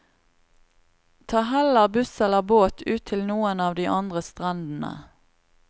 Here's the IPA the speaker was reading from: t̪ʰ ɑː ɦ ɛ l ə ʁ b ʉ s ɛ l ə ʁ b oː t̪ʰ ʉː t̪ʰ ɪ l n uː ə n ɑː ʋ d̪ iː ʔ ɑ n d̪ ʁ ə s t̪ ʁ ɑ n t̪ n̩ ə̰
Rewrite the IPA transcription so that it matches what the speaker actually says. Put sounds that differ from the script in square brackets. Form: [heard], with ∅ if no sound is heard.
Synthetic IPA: t̪ʰ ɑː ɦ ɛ l ə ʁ b ʉ s ɛ l ə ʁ b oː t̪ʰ ʉː t̪ʰ ɪ l n uː ə n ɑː ʋ d̪ iː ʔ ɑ n d̪ ʁ ə s t̪ ʁ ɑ n [d̪] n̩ ə̰

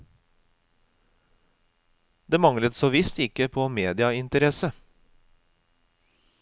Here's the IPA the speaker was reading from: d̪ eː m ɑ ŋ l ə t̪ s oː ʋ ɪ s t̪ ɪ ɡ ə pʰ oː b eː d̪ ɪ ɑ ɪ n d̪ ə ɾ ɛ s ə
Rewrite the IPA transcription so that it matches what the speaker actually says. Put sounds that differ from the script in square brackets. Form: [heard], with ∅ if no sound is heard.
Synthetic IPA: d̪ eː m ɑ ŋ l ə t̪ s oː ʋ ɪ s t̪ ɪ [k] ə pʰ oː [m] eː d̪ ɪ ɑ ɪ n [t̪] ə ɾ ɛ s ə

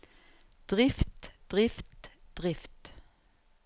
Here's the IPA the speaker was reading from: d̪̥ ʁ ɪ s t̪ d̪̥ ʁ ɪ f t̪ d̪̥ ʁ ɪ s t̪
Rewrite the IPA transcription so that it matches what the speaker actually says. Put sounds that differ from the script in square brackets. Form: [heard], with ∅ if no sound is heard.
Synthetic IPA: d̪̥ ʁ ɪ [f] t̪ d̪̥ ʁ ɪ f t̪ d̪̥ ʁ ɪ [f] t̪

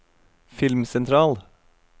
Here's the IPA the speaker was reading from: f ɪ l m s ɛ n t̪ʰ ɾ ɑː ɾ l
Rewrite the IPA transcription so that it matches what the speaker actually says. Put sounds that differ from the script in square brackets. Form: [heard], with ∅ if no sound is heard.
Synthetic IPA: f ɪ l m s ɛ n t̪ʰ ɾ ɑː [∅] l

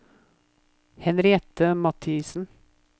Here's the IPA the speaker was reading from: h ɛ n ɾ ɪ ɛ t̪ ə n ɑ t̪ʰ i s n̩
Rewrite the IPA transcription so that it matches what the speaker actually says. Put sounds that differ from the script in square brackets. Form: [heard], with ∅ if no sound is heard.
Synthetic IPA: h ɛ n ɾ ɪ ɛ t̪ ə [m] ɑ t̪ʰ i s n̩

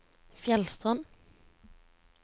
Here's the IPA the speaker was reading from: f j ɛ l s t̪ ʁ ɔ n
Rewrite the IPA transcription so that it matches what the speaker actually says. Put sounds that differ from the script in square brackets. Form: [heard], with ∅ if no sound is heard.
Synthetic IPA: f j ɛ l s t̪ ʁ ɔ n

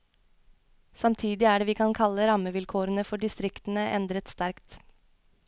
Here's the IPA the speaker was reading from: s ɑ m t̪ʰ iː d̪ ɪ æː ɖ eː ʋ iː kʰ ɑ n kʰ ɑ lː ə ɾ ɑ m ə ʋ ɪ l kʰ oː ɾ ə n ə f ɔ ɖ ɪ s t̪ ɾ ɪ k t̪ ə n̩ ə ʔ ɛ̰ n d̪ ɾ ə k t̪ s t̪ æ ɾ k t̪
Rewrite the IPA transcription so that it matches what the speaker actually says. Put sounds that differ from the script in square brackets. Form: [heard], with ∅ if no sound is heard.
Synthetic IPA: s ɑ m t̪ʰ iː d̪ ɪ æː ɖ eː ʋ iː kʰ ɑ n kʰ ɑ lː ə ɾ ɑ m ə ʋ ɪ l kʰ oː ɾ ə n ə f ɔ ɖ ɪ s t̪ ɾ ɪ k t̪ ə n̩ ə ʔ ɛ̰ n d̪ ɾ ə [∅] t̪ s t̪ æ ɾ k t̪

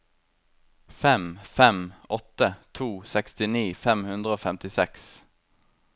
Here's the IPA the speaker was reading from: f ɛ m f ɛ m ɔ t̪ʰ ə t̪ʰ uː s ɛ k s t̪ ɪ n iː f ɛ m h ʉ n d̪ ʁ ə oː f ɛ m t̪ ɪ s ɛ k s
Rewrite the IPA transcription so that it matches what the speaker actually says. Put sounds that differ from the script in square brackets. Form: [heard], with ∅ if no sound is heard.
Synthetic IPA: f ɛ m f ɛ m ɔ [t̪] ə t̪ʰ uː s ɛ k s t̪ ɪ n iː f ɛ m h ʉ n d̪ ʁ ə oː f ɛ m t̪ ɪ s ɛ k s

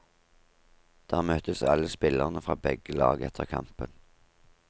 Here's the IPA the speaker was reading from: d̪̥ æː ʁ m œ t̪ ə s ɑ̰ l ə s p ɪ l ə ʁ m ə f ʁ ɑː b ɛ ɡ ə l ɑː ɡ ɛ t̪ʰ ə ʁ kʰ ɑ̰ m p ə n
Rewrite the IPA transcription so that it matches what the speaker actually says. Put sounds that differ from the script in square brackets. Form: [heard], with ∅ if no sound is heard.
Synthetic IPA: d̪̥ æː ʁ m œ t̪ ə s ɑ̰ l ə s p ɪ l ə ʁ [n] ə f ʁ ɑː b ɛ ɡ ə l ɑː ɡ ɛ t̪ʰ ə ʁ kʰ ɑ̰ m p ə n

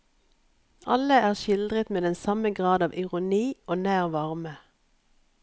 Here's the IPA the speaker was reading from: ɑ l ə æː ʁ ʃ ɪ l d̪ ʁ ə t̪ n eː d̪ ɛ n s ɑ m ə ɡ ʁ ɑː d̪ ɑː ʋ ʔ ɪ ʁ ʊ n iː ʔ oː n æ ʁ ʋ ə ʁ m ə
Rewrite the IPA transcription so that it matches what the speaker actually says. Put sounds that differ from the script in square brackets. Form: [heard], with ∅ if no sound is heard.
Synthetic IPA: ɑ l ə æː ʁ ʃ ɪ l d̪ ʁ ə t̪ [m] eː d̪ ɛ n s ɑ m ə ɡ ʁ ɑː d̪ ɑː ʋ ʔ ɪ ʁ ʊ n iː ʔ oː n [æː] ʁ ʋ [ɑ] ʁ m ə

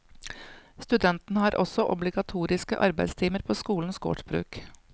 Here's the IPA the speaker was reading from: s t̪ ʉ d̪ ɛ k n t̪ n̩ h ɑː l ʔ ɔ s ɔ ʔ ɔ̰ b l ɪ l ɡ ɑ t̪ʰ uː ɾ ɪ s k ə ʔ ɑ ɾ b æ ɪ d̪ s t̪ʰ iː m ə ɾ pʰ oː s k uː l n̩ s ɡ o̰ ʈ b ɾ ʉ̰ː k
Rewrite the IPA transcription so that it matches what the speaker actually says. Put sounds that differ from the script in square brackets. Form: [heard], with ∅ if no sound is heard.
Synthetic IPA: s t̪ ʉ d̪ ɛ [∅] n t̪ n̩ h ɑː [ɾ] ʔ ɔ s ɔ ʔ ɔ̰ b l ɪ [∅] ɡ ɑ t̪ʰ uː ɾ ɪ s k ə ʔ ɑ ɾ b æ ɪ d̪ s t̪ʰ iː m ə ɾ pʰ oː s k uː l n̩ s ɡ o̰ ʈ b ɾ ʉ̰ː k

